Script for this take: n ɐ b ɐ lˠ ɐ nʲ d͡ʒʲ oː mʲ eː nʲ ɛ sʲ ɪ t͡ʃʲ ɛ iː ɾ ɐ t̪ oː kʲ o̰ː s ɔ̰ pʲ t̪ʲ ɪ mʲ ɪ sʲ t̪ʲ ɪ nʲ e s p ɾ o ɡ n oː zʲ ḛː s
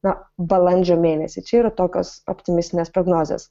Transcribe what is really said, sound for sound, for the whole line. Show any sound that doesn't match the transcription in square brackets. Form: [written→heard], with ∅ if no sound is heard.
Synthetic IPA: n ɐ b ɐ lˠ ɐ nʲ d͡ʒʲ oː mʲ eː nʲ ɛ sʲ ɪ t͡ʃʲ ɛ iː ɾ ɐ t̪ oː kʲ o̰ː s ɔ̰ pʲ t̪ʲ ɪ mʲ ɪ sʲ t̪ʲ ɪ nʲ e s p ɾ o ɡ n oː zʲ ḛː s